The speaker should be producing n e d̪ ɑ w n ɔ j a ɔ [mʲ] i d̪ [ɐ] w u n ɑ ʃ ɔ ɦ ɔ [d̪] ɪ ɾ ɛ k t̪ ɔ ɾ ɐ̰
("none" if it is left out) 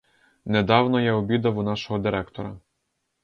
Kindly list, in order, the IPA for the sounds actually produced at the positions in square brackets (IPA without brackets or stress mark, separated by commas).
bʲ, ɐ, d̪